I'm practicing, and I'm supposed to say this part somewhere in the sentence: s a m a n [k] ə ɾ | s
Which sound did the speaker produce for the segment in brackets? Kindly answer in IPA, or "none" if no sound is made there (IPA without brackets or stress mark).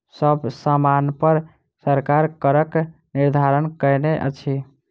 p